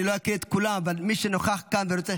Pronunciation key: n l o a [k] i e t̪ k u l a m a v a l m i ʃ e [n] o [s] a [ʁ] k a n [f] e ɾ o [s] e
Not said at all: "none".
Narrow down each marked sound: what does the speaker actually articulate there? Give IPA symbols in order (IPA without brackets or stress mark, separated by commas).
k, n, χ, χ, v, t͡s